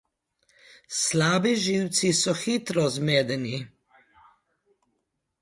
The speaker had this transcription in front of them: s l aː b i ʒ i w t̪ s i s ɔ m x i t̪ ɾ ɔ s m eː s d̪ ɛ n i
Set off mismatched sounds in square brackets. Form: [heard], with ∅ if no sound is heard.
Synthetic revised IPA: s l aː b i ʒ i w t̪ s i s ɔ [∅] x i t̪ ɾ ɔ [z] m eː [∅] d̪ ɛ n i